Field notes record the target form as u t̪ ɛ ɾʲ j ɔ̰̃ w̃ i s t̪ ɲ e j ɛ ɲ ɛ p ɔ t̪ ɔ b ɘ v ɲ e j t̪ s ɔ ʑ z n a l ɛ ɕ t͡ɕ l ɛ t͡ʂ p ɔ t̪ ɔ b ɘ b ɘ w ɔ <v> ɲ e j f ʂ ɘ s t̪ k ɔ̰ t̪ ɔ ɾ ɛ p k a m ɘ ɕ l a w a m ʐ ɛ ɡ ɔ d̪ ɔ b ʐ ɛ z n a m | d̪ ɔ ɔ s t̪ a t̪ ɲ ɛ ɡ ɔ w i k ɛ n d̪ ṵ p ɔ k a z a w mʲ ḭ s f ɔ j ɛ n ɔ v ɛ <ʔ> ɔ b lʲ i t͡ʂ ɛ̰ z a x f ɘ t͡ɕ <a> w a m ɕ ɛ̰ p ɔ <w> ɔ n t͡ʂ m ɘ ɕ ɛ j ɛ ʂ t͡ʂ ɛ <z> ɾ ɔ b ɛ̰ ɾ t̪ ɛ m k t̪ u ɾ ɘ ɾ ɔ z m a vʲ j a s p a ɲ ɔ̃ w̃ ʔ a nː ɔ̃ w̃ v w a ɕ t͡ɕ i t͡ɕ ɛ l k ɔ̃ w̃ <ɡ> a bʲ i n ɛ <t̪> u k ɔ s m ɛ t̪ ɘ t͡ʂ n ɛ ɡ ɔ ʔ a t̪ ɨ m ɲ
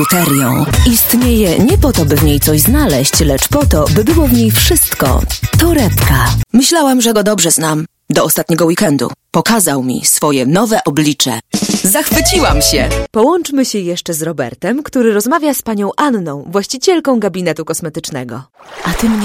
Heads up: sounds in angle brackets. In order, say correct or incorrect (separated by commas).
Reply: correct, correct, incorrect, correct, correct, correct, correct